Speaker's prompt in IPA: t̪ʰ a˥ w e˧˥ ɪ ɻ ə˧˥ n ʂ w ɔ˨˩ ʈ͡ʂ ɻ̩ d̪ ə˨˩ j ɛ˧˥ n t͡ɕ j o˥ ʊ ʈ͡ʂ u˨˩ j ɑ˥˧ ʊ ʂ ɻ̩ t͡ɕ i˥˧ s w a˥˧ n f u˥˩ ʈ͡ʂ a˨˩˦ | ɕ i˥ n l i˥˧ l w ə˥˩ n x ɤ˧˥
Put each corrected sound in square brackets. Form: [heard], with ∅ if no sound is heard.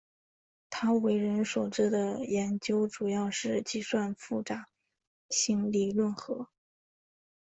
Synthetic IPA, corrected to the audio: t̪ʰ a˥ w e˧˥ ɪ ɻ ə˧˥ n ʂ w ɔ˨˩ ʈ͡ʂ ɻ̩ d̪ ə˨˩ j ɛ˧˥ n t͡ɕ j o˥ ʊ ʈ͡ʂ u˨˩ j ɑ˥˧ ʊ ʂ ɻ̩ t͡ɕ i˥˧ s w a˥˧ n f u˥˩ ʈ͡ʂ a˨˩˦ | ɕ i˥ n l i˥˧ l w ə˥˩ n x ɤ˧˥